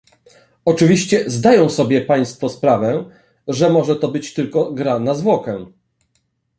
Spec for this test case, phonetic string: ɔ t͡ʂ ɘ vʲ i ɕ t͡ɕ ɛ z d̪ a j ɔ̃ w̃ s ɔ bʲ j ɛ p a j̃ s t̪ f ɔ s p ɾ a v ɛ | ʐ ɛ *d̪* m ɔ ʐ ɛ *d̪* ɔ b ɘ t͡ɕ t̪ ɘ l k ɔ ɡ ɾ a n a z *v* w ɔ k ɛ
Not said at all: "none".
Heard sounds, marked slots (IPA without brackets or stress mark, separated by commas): none, t̪, v